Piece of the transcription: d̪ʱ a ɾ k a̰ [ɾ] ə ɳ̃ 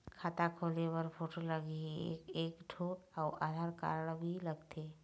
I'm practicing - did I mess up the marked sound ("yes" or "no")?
no